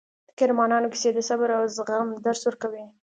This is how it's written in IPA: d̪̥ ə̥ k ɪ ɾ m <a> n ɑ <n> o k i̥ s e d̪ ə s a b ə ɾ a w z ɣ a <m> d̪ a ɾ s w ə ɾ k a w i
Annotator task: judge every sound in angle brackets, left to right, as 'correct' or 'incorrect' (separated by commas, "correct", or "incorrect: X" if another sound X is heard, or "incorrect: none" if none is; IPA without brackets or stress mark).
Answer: incorrect: ɑ, correct, correct